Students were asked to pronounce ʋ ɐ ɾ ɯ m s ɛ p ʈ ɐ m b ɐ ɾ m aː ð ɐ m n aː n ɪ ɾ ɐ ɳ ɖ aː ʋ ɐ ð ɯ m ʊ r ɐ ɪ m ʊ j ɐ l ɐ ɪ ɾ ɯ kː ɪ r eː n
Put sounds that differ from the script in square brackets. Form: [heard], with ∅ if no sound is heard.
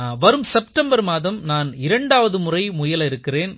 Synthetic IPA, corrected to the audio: ʋ ɐ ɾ ɯ m s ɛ p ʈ ɐ m b ɐ ɾ m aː ð ɐ m n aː n ɪ ɾ ɐ ɳ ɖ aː ʋ ɐ ð ɯ m ʊ r ɐ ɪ m ʊ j ɐ l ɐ ɪ ɾ ɯ kː ɪ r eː n